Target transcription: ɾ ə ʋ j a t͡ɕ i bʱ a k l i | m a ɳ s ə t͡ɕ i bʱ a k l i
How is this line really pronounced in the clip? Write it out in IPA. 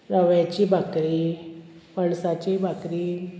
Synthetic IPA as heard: ɾ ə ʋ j a t͡ɕ i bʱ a k ɾ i | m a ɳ s a t͡ɕ i bʱ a k ɾ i